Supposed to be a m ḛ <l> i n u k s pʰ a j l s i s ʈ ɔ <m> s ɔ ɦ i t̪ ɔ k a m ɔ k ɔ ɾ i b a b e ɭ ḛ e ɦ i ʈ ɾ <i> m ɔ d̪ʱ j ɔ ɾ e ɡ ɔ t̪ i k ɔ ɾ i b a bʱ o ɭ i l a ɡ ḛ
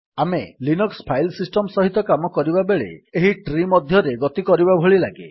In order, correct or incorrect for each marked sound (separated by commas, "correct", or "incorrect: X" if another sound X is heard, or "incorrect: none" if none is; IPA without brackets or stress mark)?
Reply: correct, correct, correct